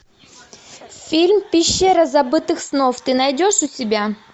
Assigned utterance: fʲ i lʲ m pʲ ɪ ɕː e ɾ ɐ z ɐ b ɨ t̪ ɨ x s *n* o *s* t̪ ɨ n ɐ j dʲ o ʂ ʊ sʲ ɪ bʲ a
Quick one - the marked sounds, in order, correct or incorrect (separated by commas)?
correct, incorrect